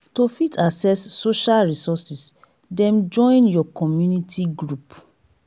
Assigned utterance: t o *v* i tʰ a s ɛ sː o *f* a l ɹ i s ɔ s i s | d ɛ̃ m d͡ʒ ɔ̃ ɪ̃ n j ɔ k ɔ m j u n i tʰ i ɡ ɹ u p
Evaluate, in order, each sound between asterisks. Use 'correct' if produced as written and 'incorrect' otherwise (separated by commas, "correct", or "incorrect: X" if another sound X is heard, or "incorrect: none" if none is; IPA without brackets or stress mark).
incorrect: f, incorrect: ʃ